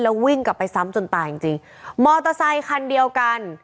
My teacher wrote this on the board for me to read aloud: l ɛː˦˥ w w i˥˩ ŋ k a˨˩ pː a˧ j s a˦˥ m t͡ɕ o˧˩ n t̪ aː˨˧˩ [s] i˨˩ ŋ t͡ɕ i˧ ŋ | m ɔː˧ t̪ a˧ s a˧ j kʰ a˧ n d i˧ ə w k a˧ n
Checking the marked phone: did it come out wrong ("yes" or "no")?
yes